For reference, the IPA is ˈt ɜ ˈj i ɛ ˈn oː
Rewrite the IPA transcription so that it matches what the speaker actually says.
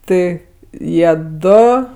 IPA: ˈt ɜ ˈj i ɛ ˈd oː